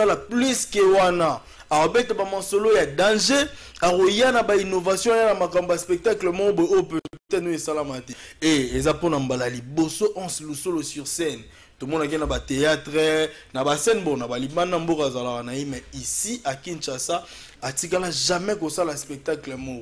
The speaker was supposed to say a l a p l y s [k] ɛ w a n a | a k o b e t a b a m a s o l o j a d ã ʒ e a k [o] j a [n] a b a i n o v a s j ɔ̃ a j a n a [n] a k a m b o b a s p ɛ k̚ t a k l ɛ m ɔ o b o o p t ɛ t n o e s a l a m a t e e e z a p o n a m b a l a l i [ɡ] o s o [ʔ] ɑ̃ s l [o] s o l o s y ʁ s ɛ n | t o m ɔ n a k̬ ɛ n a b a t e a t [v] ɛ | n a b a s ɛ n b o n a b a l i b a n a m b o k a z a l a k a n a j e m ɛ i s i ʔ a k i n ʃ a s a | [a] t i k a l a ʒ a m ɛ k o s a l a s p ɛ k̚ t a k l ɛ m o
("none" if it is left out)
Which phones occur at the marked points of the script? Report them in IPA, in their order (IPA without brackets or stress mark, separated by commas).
k, o, n, m, b, ʔ, u, ʁ, a